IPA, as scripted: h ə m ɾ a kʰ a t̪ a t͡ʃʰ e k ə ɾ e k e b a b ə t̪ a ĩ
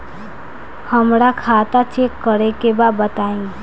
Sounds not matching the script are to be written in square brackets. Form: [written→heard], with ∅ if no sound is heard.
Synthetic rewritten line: h ə m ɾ a kʰ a t̪ a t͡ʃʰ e k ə ɾ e k e b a b ə t̪ a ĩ